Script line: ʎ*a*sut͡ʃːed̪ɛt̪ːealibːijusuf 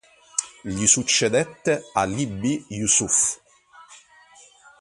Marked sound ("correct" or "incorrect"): incorrect